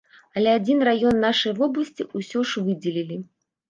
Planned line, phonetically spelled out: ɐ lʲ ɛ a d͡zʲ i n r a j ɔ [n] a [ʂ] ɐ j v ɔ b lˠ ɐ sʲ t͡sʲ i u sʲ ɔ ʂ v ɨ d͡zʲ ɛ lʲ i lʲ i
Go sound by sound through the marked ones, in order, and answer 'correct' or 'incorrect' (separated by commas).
incorrect, correct